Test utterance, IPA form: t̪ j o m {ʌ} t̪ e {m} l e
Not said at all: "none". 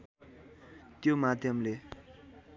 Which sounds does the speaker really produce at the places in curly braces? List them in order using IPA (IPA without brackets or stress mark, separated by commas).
a, m